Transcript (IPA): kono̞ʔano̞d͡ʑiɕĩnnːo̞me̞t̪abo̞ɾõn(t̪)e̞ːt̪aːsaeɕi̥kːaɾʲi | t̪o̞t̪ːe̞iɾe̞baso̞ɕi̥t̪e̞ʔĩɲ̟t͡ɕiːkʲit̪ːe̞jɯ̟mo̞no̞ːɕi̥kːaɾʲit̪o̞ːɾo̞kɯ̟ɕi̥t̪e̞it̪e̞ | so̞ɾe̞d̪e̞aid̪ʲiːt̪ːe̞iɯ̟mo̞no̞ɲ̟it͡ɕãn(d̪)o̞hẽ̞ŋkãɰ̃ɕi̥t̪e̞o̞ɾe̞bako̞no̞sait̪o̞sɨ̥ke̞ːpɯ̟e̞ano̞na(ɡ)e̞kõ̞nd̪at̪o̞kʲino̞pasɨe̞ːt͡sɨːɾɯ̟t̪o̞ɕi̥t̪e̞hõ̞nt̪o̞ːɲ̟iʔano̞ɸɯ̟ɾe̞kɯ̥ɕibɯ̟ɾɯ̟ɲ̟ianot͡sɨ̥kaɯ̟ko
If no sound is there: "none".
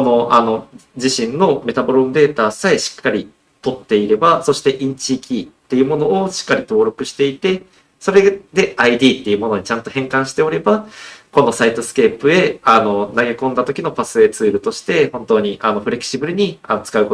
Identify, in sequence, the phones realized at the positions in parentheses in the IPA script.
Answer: d̪, t̪, ɡ

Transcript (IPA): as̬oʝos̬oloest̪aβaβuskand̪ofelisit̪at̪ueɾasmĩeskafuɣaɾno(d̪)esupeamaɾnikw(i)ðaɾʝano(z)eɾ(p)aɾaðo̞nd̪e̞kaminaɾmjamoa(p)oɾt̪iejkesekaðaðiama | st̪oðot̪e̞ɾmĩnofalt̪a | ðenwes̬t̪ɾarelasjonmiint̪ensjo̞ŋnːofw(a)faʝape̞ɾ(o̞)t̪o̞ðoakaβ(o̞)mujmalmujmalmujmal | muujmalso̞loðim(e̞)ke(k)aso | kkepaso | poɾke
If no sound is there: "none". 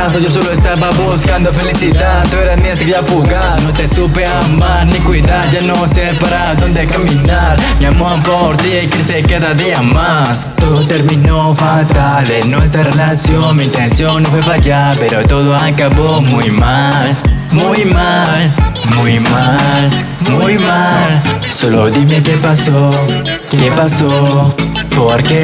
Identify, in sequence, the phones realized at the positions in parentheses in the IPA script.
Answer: t̪, i, s, p, p, e, o̞, o̞, e̞, p

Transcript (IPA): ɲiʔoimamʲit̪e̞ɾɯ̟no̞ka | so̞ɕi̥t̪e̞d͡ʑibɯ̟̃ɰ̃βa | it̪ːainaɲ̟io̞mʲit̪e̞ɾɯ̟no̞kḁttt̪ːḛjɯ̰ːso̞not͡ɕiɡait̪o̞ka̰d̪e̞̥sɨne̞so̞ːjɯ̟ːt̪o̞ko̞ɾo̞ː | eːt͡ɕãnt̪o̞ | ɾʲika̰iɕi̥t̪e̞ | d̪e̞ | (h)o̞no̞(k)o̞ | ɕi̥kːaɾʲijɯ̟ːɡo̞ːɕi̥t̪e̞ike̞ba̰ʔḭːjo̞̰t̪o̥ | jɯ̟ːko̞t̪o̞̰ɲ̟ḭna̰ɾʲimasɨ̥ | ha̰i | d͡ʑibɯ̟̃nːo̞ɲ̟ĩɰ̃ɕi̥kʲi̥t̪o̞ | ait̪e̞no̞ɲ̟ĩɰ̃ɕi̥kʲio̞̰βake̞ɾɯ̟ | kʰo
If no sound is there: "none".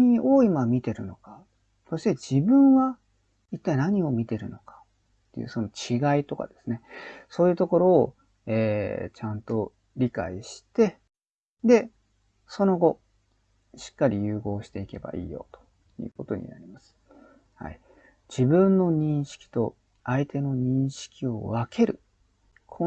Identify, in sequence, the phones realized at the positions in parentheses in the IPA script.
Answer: s, ɡ

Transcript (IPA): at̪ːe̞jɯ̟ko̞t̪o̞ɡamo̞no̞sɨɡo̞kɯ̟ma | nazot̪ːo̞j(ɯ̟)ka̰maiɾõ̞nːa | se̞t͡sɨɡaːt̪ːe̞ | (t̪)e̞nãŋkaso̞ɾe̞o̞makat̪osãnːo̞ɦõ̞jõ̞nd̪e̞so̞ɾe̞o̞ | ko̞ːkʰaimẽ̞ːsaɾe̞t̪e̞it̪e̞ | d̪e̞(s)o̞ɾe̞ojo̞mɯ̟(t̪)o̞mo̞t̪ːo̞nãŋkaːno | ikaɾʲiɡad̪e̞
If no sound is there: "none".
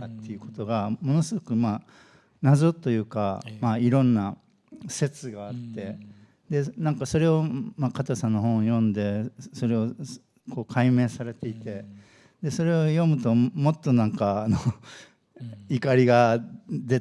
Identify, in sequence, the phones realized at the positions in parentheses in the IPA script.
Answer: ɯ̟ː, d̪, s, t̪

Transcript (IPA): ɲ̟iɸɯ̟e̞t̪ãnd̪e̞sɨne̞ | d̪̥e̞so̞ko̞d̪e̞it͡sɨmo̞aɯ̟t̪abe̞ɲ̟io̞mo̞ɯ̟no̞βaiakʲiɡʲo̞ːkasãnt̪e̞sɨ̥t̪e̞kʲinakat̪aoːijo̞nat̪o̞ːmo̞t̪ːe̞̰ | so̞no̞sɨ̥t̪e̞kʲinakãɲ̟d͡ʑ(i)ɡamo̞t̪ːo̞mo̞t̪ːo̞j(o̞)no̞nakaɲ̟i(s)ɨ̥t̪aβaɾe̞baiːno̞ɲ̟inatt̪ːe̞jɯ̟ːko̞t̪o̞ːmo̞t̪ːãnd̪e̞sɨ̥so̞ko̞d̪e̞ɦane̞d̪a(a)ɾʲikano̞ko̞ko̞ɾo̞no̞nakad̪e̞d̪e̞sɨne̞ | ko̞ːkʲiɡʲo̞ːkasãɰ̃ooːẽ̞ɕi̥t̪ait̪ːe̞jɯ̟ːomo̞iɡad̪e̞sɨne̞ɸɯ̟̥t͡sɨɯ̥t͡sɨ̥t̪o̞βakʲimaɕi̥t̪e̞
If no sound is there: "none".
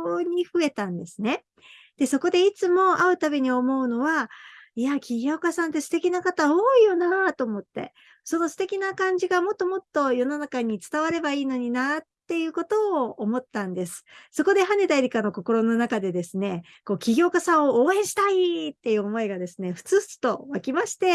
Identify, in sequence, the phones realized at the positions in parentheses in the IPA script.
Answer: i, o̞, t͡s, i

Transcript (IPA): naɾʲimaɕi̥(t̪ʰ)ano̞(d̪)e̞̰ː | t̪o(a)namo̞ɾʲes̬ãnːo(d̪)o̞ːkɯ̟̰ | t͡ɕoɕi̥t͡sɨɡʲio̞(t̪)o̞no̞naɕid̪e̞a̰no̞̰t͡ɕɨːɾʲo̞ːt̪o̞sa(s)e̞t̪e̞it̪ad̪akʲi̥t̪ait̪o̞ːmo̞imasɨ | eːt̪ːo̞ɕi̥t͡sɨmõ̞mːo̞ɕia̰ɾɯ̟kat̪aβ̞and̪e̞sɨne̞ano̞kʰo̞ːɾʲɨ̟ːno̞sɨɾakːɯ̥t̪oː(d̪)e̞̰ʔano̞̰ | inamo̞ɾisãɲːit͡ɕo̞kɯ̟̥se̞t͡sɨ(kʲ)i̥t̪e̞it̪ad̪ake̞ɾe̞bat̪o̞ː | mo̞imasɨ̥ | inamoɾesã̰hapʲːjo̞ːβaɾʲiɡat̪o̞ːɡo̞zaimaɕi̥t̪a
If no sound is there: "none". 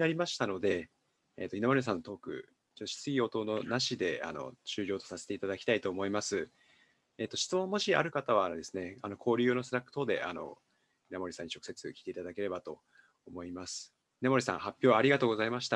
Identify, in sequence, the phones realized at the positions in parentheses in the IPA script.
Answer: t̪, d̪, i, t̪, t̪, s, d̪, kʲ

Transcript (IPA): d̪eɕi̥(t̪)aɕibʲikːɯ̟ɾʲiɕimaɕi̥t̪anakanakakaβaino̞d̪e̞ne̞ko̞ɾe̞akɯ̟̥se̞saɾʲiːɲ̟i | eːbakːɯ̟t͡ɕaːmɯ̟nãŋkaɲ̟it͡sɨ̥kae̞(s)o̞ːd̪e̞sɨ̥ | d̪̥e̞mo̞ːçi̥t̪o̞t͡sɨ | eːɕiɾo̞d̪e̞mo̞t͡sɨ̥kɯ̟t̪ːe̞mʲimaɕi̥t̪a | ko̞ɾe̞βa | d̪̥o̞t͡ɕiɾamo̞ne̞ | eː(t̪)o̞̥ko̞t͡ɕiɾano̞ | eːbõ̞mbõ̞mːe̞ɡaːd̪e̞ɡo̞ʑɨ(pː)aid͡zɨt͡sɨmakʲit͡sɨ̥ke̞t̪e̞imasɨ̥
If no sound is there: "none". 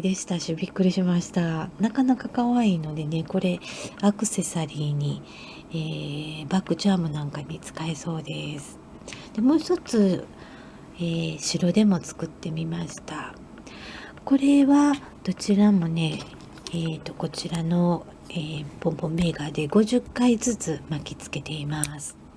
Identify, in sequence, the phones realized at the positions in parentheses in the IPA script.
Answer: t̪, s, t̪, kː

